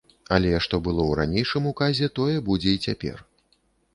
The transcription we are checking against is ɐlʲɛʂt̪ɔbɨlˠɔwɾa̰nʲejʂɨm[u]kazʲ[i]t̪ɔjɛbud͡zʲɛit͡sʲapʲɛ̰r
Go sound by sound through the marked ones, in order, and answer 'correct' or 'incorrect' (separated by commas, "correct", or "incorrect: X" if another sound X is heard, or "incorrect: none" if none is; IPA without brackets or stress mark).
correct, incorrect: ɛ